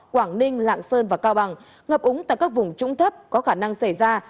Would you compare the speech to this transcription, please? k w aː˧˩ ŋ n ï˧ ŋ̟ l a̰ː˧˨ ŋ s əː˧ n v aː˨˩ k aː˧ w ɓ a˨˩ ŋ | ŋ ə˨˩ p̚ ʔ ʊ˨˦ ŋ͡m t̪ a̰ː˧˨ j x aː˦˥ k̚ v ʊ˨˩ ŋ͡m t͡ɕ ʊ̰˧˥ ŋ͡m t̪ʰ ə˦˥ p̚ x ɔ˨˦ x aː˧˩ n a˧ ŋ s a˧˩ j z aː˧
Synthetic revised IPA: k w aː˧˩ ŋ n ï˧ ŋ̟ l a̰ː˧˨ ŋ s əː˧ n v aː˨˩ k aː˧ w ɓ a˨˩ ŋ | ŋ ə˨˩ p̚ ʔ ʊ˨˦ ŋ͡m t̪ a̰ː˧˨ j k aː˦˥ k̚ v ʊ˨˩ ŋ͡m t͡ɕ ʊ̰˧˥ ŋ͡m t̪ʰ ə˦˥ p̚ k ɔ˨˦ x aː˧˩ n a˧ ŋ s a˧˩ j z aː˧